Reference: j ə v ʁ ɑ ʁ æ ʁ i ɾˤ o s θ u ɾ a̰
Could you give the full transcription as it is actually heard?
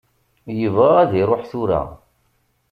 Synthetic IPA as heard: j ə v ʁ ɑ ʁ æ ð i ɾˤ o ħ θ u ɾ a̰